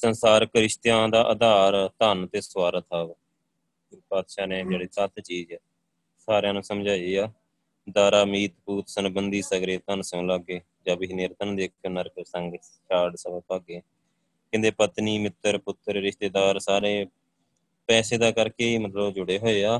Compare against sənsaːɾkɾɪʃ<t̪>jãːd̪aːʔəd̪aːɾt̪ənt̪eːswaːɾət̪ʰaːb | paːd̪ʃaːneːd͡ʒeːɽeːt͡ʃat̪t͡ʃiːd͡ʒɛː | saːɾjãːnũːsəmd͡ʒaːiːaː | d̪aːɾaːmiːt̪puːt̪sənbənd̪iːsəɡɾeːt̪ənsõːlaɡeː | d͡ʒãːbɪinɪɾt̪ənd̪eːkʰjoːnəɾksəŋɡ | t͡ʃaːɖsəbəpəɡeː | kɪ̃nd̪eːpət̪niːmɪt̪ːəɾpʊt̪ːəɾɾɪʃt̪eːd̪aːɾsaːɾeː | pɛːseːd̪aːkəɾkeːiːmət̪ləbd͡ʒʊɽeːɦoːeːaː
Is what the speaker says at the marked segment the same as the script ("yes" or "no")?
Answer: yes